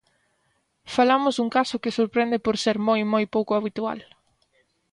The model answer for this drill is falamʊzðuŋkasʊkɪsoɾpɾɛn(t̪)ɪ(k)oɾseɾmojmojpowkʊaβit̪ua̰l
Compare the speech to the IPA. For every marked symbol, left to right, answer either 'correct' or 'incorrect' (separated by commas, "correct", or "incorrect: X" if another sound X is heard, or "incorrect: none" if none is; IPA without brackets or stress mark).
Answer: incorrect: d̪, incorrect: p